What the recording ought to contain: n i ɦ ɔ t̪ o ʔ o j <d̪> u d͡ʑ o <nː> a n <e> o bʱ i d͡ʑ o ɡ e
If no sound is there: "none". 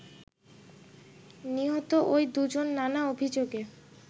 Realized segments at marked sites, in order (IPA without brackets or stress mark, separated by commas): d̪, nː, a